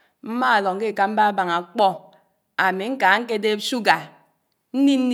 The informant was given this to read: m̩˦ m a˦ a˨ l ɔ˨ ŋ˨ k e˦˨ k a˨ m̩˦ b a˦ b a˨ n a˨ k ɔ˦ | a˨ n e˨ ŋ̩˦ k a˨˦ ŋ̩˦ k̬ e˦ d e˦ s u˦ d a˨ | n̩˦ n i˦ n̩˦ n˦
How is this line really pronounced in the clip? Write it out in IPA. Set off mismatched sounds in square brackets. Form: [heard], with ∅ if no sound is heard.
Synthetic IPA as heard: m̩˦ m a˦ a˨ l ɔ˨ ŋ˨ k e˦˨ k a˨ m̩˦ b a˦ b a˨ [ŋ] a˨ [k͡p] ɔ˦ | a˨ [m] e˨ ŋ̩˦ k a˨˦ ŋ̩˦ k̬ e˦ d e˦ s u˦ [ɡ] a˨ | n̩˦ n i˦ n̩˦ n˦